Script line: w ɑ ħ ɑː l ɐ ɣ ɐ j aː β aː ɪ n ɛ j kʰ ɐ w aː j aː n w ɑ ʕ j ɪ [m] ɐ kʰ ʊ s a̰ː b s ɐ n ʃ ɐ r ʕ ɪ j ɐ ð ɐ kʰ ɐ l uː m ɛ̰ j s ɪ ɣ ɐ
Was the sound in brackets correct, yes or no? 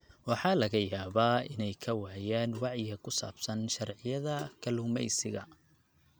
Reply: no